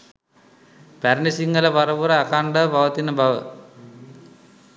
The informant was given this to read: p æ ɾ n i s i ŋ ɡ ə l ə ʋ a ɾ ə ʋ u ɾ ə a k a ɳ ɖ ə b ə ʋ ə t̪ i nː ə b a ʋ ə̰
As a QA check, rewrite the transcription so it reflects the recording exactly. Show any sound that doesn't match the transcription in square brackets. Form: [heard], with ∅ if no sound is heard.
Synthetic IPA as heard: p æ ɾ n i s i ŋ ɡ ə l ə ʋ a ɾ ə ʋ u ɾ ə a k a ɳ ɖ ə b [a] ʋ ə t̪ i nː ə b a ʋ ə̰